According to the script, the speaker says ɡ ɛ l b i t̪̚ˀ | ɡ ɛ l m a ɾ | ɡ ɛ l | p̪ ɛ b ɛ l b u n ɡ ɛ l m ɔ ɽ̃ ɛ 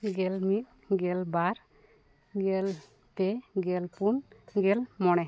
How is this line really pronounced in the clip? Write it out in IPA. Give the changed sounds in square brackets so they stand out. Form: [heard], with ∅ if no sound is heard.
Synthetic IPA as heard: ɡ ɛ l [m] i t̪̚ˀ | ɡ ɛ l [b] a ɾ | ɡ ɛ l | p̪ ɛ [ɡ] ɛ l [p] u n ɡ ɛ l m ɔ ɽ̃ ɛ